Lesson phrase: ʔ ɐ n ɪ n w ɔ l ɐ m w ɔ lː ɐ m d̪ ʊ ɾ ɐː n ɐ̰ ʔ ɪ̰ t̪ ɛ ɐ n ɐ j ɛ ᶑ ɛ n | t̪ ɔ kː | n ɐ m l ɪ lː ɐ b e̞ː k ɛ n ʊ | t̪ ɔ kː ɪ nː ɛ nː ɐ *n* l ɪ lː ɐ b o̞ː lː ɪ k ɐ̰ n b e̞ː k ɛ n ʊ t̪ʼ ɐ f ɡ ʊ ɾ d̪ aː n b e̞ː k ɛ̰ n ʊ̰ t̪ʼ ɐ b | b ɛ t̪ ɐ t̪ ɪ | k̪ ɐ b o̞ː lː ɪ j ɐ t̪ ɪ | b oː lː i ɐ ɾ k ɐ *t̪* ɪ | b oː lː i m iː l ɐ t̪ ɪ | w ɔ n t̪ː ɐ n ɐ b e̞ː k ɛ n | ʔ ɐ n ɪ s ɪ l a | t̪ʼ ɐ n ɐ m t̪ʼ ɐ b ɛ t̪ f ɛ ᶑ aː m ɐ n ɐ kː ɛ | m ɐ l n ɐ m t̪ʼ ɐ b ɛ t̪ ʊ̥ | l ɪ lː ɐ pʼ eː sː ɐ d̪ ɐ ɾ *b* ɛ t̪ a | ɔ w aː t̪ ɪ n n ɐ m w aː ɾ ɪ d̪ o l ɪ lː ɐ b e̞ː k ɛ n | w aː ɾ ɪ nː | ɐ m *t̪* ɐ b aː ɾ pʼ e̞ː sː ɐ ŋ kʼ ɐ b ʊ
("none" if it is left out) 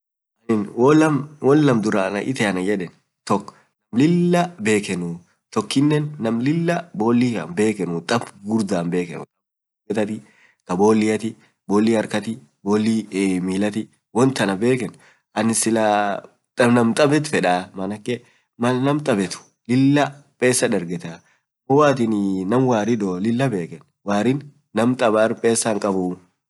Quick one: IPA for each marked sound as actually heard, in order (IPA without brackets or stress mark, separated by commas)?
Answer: m, t̪, ɡ, t̪ʼ